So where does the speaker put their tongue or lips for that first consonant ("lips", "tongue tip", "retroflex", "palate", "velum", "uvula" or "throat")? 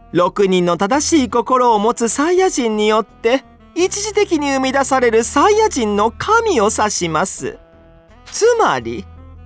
tongue tip